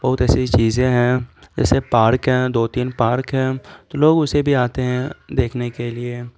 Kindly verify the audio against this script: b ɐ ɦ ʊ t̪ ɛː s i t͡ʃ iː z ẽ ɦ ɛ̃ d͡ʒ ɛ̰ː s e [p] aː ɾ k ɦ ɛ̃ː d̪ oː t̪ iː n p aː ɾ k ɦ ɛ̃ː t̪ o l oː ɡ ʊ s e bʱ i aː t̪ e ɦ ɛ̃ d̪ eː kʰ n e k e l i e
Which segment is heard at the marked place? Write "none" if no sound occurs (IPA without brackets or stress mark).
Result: p